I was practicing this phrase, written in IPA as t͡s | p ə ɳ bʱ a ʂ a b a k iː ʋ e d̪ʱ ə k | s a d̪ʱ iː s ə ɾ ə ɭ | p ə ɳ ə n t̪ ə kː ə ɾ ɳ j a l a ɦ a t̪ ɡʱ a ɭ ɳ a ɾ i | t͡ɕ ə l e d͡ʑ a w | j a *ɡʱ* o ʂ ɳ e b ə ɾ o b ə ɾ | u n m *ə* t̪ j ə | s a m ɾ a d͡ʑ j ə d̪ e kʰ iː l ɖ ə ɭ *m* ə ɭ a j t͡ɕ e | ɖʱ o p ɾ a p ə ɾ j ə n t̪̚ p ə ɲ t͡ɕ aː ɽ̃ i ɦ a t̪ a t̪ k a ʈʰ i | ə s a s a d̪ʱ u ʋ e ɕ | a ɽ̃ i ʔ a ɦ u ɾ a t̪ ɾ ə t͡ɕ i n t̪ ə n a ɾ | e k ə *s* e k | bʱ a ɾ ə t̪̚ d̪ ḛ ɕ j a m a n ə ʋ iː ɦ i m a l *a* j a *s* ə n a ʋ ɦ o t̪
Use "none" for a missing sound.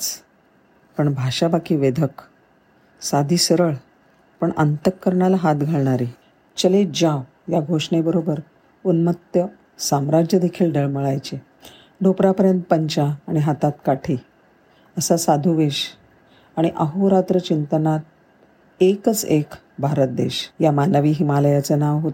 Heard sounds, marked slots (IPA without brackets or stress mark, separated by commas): ɡʱ, ə, m, t͡s, ə, t͡s